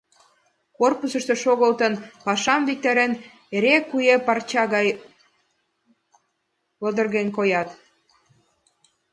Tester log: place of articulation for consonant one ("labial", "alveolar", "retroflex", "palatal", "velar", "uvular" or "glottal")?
velar